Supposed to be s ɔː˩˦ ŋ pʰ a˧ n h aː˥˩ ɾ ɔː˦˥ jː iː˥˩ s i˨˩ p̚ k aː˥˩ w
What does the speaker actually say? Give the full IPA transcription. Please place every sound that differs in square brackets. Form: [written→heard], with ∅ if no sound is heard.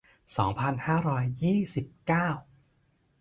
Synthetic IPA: s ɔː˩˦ ŋ pʰ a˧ n h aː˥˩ ɾ ɔː˦˥ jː iː˥˩ s i˨˩ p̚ k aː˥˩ w